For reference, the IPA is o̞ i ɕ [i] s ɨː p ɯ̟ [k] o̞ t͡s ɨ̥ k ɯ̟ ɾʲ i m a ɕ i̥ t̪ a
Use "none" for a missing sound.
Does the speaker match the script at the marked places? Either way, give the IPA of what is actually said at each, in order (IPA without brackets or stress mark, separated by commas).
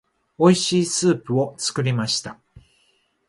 iː, none